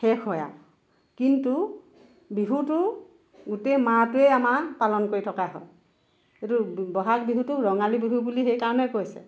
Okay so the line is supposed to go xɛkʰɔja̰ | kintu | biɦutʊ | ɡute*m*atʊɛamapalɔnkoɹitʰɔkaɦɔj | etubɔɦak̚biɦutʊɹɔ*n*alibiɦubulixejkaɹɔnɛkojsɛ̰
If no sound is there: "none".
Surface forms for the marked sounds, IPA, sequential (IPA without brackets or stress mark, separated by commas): m, ŋ